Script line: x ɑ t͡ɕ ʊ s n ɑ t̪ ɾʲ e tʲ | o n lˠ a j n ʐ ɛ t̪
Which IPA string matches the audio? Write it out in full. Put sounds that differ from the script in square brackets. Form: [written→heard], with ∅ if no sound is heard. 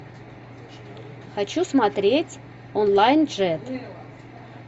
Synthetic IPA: x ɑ t͡ɕ [ʊ→u] s [n→m] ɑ t̪ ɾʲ e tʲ | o n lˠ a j n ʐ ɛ t̪